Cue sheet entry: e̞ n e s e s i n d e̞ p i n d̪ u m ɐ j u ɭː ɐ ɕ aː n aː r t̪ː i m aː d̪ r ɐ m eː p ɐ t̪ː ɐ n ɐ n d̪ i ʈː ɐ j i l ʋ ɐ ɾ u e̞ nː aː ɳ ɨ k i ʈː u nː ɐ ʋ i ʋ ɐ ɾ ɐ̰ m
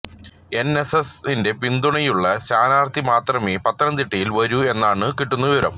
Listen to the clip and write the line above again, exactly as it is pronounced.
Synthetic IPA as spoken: e̞ n e s e s i n d e̞ p i n d̪ u ɳ ɐ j u ɭː ɐ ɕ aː n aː r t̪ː i m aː t̪ r ɐ m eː p ɐ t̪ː ɐ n ɐ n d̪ i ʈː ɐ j i l ʋ ɐ ɾ u e̞ nː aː ɳ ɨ k i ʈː u nː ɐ ʋ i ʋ ɐ ɾ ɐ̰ m